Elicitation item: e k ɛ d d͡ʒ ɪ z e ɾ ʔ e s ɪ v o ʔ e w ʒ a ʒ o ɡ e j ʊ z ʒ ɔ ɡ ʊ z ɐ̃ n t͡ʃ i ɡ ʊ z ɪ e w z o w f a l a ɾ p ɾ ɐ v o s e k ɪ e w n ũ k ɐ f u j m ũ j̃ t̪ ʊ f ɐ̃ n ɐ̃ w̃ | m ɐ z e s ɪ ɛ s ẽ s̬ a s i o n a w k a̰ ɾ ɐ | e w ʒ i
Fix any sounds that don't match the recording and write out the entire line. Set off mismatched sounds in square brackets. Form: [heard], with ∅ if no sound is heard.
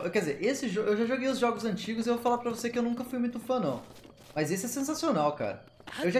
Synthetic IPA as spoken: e k ɛ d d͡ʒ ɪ z e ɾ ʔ e s ɪ [ʒ] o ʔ e w ʒ a ʒ o ɡ e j ʊ z ʒ ɔ ɡ ʊ z ɐ̃ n t͡ʃ i ɡ ʊ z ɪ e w [v] o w f a l a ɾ p ɾ ɐ v o s e k ɪ e w n ũ k ɐ f u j m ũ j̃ t̪ ʊ f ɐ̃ n ɐ̃ w̃ | m ɐ z e s ɪ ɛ s ẽ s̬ a s i o n a w k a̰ ɾ ɐ | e w ʒ [a]